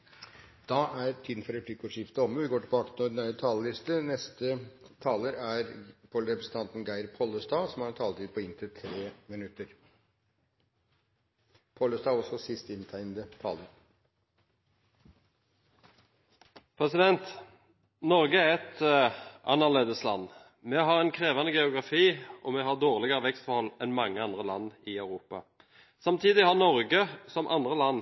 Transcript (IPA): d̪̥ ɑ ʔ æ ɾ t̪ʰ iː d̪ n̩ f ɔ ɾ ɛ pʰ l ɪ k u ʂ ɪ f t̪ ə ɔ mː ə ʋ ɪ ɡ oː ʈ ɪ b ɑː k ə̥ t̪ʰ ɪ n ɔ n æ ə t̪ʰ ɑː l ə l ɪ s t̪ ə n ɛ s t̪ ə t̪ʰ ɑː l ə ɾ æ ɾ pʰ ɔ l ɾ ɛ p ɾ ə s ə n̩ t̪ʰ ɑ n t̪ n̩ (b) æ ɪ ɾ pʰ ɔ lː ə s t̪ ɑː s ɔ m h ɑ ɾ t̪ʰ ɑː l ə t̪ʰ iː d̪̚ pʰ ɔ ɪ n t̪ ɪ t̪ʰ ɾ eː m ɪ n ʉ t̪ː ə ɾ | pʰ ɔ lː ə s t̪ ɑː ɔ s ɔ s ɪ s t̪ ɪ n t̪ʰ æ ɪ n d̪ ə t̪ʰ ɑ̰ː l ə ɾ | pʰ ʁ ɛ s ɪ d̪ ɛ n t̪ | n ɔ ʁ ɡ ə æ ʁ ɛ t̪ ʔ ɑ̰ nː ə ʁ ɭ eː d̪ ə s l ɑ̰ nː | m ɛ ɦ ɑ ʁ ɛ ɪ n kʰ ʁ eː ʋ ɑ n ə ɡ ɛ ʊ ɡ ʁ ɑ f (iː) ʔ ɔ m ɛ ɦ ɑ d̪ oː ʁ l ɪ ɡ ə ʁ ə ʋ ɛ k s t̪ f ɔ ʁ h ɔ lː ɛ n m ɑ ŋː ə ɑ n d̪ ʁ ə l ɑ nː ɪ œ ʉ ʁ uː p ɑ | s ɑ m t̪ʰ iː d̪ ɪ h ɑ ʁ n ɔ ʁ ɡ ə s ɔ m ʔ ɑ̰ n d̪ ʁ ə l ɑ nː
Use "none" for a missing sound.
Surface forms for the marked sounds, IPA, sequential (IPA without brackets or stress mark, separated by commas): ɡ, iː